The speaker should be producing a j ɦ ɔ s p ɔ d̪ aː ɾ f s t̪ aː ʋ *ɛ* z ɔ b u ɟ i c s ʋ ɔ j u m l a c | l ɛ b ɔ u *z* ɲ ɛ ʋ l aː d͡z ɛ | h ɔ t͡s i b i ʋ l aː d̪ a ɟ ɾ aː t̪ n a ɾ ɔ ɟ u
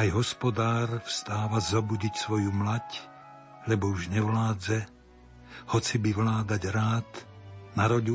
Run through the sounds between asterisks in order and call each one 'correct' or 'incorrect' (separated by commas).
incorrect, incorrect